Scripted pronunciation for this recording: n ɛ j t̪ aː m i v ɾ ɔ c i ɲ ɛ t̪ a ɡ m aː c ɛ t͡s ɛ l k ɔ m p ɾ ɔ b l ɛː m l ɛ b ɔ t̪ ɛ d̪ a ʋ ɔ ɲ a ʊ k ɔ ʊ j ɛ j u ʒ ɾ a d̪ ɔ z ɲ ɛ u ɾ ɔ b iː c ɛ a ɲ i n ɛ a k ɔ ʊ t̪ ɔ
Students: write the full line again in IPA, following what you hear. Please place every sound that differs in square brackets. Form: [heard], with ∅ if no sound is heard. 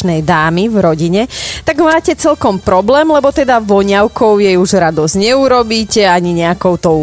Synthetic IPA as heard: n ɛ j [d̪] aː m i v ɾ ɔ [ɟ] i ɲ ɛ t̪ a ɡ m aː c ɛ t͡s ɛ l k ɔ m p ɾ ɔ b l ɛː m l ɛ b ɔ t̪ ɛ d̪ a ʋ ɔ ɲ a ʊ k ɔ ʊ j ɛ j u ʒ ɾ a d̪ ɔ z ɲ ɛ u ɾ ɔ b iː c ɛ a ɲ i [ɲ] ɛ a k ɔ ʊ t̪ ɔ